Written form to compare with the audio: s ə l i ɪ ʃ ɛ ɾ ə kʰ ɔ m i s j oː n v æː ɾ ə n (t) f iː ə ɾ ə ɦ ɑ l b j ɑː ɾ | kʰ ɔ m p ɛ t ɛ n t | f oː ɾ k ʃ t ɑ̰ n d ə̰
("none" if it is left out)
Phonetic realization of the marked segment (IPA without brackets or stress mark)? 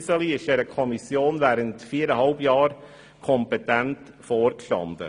t